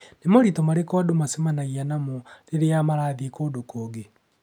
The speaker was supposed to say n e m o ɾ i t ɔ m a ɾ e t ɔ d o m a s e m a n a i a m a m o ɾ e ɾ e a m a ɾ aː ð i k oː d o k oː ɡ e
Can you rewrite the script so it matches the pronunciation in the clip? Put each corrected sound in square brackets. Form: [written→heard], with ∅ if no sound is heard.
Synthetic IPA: n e m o ɾ i t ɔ m a ɾ e [t→k] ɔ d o m a s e m a n a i a [m→n] a m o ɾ e ɾ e a m a ɾ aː ð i k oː d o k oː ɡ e